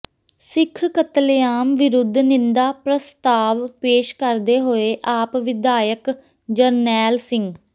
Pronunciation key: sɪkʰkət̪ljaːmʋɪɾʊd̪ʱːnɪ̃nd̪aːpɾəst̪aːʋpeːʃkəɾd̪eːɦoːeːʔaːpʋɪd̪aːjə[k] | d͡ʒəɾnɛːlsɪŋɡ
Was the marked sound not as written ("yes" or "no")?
no